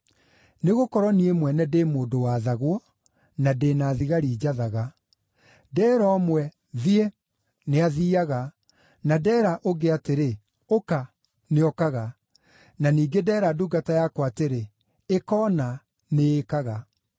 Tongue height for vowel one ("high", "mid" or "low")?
mid